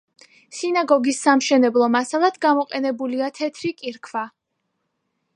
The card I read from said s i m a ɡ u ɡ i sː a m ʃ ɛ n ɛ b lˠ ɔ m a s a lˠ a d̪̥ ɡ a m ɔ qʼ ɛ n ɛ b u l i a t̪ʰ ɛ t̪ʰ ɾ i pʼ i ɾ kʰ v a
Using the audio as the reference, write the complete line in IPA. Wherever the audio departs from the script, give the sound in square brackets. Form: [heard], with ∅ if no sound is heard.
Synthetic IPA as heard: s i [n] a ɡ [ɔ] ɡ i sː a m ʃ ɛ n ɛ b lˠ ɔ m a s a lˠ a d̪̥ ɡ a m ɔ qʼ ɛ n ɛ b u l i a t̪ʰ ɛ t̪ʰ ɾ i [kʼ] i ɾ kʰ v a